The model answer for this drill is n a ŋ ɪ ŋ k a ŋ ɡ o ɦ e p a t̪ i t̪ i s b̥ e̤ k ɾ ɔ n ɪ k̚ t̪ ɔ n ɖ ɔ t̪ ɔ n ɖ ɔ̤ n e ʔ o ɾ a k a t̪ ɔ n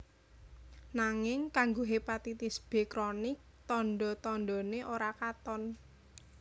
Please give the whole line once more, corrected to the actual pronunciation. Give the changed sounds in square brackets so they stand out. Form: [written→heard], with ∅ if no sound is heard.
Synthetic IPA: n a ŋ ɪ ŋ k a ŋ ɡ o ɦ e p a t̪ i t̪ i s b̥ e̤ k ɾ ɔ n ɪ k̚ t̪ ɔ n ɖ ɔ t̪ ɔ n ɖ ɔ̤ n e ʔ o ɾ a k a t̪ ɔ n